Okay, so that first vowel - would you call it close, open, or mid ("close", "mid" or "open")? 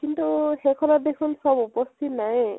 close